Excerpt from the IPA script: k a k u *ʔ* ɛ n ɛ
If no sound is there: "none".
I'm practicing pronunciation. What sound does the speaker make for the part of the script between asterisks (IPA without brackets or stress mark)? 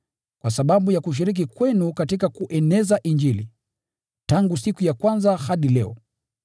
ʔ